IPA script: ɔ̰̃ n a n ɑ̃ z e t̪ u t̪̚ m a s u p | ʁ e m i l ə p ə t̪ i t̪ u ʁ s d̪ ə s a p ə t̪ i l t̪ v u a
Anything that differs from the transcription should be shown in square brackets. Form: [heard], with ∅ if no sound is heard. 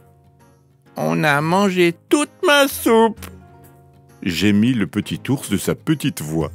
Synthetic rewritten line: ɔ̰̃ n a [m] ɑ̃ [ʒ] e t̪ u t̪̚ m a s u p | [ʒ] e m i l ə p ə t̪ i t̪ u ʁ s d̪ ə s a p ə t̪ i [∅] t̪ v [w] a